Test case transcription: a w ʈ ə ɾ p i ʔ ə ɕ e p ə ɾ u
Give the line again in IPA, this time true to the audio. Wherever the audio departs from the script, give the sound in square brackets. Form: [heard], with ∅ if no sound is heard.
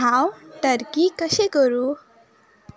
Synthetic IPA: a w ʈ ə ɾ [k] i [k] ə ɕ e [k] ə ɾ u